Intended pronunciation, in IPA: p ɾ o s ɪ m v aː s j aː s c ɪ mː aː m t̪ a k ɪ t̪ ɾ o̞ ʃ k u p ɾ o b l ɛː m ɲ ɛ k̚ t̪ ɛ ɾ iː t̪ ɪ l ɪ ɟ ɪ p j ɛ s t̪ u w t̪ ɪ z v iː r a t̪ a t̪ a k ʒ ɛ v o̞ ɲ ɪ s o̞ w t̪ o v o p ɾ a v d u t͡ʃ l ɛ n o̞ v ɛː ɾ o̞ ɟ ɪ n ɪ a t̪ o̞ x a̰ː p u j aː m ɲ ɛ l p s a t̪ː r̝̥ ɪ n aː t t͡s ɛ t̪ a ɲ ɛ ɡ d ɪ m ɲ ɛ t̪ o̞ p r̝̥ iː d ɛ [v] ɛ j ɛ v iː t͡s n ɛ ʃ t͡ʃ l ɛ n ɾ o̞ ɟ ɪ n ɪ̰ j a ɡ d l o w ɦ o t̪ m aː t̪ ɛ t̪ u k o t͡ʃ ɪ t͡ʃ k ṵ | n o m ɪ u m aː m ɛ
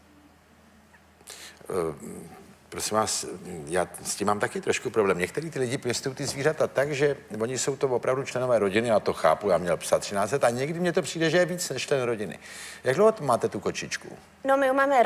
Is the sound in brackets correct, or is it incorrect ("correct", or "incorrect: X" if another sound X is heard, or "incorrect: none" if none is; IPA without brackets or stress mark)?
incorrect: ʒ